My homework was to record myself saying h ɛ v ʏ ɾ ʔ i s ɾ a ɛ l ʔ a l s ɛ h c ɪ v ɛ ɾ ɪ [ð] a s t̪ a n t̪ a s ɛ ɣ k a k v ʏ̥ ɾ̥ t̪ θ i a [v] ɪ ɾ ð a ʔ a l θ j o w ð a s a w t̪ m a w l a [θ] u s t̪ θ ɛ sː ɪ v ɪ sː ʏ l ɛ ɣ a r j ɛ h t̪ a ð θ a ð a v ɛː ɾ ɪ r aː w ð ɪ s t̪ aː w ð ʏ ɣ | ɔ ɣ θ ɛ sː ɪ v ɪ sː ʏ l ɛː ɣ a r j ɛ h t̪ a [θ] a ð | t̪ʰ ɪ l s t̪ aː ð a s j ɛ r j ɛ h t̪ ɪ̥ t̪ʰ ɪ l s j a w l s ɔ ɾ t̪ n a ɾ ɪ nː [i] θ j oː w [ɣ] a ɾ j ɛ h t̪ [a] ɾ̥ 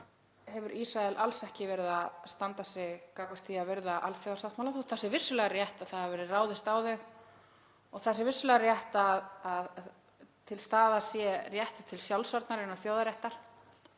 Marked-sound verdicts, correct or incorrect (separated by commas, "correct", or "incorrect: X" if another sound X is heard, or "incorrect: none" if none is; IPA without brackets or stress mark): correct, correct, correct, incorrect: ð, incorrect: a, incorrect: ð, correct